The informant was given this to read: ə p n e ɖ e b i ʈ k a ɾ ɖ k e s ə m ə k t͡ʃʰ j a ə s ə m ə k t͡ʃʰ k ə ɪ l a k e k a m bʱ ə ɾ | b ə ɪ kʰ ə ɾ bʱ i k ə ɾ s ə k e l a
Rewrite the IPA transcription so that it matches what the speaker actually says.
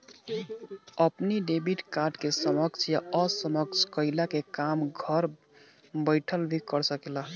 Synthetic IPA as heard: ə p n i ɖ e b i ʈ k a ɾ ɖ k e s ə m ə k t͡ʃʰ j a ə s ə m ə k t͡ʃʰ k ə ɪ l a k e k a m ɡʱ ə ɾ | b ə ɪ ʈʰ ə l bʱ i k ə ɾ s ə k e l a

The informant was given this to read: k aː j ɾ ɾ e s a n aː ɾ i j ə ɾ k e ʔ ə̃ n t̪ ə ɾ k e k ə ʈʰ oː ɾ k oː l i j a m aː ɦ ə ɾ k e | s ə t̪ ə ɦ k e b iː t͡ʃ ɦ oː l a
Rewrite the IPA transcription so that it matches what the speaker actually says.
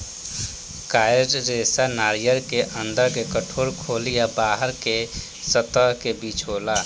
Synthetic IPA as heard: k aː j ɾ ɾ e s a n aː ɾ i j ə ɾ k e ʔ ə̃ n d̪ ə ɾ k e k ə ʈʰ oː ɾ kʰ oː l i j a b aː ɦ ə ɾ k e | s ə t̪ ə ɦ k e b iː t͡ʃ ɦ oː l a

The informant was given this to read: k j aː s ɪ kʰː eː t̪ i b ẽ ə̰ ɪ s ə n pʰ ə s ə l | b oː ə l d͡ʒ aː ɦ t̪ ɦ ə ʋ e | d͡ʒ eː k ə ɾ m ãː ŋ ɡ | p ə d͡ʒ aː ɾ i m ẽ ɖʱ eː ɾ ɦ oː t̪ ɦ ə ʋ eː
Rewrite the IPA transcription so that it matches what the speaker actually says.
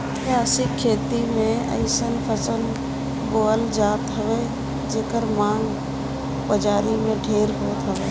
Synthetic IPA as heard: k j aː s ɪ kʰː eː t̪ i m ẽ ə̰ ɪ s ə n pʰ ə s ə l | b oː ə l d͡ʒ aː t̪ ɦ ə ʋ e | d͡ʒ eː k ə ɾ m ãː ŋ ɡ | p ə d͡ʒ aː ɾ i m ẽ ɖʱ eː ɾ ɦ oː t̪ ɦ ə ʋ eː

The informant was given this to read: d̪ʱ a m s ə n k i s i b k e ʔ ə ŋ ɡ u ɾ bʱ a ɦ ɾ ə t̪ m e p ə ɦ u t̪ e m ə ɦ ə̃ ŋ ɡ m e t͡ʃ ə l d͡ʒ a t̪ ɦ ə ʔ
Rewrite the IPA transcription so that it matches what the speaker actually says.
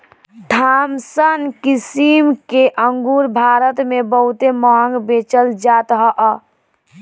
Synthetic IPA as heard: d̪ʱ a m s ə n k i s i m k e ʔ ə ŋ ɡ u ɾ bʱ a ɾ ə t̪ m e b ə ɦ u t̪ e m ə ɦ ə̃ ŋ ɡ b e t͡ʃ ə l d͡ʒ a t̪ ɦ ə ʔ

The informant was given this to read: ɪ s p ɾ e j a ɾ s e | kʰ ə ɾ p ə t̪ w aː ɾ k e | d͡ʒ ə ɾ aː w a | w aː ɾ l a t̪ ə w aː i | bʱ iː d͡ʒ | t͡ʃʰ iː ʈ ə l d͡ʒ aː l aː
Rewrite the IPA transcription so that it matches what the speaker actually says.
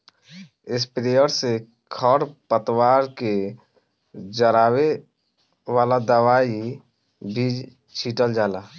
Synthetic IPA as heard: ɪ s p ɾ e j ə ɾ s e | kʰ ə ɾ p ə t̪ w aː ɾ k e | d͡ʒ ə ɾ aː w e | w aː l a d̪ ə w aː i | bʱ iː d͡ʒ | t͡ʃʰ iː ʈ ə l d͡ʒ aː l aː

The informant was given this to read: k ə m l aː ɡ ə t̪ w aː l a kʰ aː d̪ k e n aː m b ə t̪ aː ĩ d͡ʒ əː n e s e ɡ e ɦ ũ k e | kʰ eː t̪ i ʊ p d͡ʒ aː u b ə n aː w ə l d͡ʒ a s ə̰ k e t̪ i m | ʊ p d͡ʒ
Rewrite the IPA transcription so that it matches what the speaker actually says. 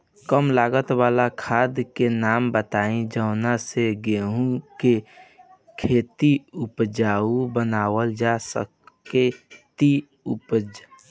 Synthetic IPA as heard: k ə m l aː ɡ ə t̪ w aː l a kʰ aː d̪ k e n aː m b ə t̪ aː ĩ d͡ʒ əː n a s e ɡ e ɦ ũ k e | kʰ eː t̪ i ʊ p d͡ʒ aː u b ə n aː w ə l d͡ʒ a s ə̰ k e t̪ i | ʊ p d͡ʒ

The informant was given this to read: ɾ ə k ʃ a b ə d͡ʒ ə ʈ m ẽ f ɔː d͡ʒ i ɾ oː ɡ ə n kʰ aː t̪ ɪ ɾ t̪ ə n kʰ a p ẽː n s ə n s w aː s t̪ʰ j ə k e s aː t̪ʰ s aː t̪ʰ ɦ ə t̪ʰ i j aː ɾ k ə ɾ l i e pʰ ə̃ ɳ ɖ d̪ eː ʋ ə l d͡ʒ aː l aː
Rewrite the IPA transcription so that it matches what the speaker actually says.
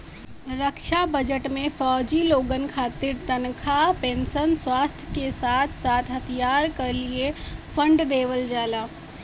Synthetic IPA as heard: ɾ ə k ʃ a b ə d͡ʒ ə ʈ m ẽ f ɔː d͡ʒ i l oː ɡ ə n kʰ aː t̪ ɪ ɾ t̪ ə n kʰ a p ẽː n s ə n s w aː s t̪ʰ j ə k e s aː t̪ʰ s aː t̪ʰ ɦ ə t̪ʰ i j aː ɾ k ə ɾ l i e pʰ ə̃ ɳ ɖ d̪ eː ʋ ə l d͡ʒ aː l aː

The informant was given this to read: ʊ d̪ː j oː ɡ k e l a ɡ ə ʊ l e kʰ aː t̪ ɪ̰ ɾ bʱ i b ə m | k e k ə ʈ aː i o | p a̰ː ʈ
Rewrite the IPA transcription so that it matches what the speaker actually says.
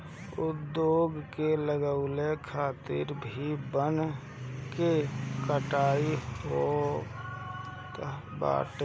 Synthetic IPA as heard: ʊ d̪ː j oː ɡ k e l ə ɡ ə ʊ l e kʰ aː t̪ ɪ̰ ɾ bʱ i b ə n | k e k ə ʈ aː i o | b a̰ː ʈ

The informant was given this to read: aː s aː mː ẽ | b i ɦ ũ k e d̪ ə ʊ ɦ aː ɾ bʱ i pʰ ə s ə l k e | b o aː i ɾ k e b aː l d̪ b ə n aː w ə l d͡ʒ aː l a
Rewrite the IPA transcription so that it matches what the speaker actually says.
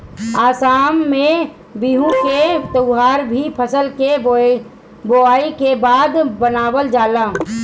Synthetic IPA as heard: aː s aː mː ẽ | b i ɦ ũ k e t̪ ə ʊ ɦ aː ɾ bʱ i pʰ ə s ə l k e | b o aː i k e b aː d̪ b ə n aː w ə l d͡ʒ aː l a

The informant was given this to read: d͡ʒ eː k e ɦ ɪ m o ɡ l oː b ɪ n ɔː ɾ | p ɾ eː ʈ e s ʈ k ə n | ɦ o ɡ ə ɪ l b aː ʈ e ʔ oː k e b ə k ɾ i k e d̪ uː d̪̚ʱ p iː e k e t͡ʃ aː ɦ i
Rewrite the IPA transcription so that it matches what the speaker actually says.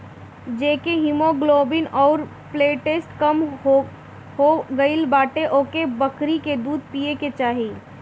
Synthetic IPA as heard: d͡ʒ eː k e ɦ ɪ m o ɡ l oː b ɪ n ɔː ɾ | p l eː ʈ e s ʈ k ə m | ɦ o ɡ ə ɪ l b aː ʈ e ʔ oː k e b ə k ɾ i k e d̪ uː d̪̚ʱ p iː e k e t͡ʃ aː ɦ i

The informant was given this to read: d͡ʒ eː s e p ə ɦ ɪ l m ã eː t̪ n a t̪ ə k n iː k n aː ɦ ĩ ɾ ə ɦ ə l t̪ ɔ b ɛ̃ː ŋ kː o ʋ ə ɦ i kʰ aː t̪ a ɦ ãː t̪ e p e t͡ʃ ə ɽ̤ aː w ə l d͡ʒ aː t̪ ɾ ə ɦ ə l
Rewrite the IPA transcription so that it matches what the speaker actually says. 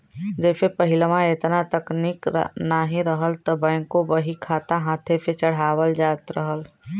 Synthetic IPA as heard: d͡ʒ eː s e p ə ɦ ɪ l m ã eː t̪ n a t̪ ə k n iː k n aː ɦ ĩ ɾ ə ɦ ə l t̪ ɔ b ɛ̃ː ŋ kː o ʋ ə ɦ i kʰ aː t̪ a ɦ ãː t̪ʰ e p e t͡ʃ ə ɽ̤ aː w ə l d͡ʒ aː t̪ ɾ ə ɦ ə l

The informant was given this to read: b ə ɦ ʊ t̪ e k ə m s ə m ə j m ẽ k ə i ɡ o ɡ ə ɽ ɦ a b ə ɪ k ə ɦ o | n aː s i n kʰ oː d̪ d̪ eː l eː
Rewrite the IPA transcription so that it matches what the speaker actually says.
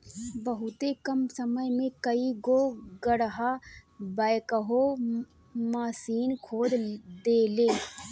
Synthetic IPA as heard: b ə ɦ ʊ t̪ e k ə m s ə m ə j m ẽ k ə i ɡ o ɡ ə ɽ ɦ a b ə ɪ k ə ɦ o | m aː s iː n kʰ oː d̪ d̪ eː l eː

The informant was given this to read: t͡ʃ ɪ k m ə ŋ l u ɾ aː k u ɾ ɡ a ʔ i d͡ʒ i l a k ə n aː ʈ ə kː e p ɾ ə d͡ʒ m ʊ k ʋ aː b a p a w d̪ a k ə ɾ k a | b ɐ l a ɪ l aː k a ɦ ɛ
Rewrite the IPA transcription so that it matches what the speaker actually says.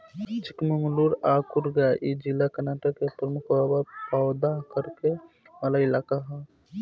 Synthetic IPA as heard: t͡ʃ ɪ k m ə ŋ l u ɾ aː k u ɾ ɡ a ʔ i d͡ʒ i l a k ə n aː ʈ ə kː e p ɾ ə m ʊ k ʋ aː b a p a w d̪ a k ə ɾ k e | m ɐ l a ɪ l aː k a ɦ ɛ

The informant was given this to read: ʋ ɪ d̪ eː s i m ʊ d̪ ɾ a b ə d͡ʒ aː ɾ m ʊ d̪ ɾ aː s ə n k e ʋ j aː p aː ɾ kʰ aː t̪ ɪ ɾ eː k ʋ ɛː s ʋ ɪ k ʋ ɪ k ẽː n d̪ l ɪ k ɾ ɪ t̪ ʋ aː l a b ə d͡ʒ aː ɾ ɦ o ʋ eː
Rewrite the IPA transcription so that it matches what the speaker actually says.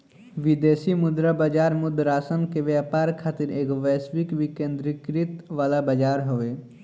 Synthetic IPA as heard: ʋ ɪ d̪ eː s i m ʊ d̪ ɾ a b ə d͡ʒ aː ɾ m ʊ d̪ ɾ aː s ə n k e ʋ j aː p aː ɾ kʰ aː t̪ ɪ ɾ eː k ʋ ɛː s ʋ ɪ k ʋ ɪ k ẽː n d̪ ɾ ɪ k ɾ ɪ t̪ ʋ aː l a b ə d͡ʒ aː ɾ ɦ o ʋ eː

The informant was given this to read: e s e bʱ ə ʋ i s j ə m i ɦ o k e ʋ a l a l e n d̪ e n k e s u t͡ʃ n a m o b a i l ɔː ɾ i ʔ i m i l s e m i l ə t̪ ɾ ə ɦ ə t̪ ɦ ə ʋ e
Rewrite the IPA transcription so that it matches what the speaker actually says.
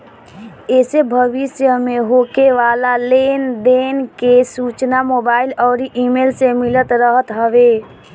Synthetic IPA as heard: e s e bʱ ə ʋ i s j ə m e ɦ o k e ʋ a l a l e n d̪ e n k e s u t͡ʃ n a m o b a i l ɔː ɾ i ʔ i m e l s e m i l ə t̪ ɾ ə ɦ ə t̪ ɦ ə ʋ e

